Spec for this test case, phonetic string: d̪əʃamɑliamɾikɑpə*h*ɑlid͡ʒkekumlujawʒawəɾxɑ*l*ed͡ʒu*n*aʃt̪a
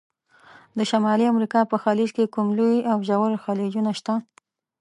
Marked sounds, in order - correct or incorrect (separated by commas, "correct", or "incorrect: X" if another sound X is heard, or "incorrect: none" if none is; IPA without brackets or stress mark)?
incorrect: x, correct, correct